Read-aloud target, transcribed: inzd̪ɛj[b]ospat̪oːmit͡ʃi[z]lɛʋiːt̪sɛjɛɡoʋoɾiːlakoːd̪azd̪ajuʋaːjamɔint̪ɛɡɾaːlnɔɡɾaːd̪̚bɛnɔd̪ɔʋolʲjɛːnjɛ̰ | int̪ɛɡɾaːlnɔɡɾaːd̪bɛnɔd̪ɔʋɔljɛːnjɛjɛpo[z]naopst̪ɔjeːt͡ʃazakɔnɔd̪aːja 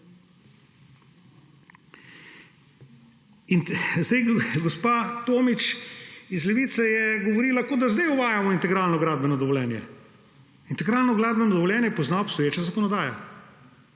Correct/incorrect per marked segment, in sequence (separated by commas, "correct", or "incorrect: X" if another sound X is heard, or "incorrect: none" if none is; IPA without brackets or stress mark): incorrect: ɡ, correct, correct